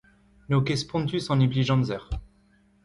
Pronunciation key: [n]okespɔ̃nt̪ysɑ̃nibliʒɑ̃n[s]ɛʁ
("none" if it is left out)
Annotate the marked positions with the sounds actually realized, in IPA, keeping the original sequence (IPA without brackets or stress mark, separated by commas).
n, z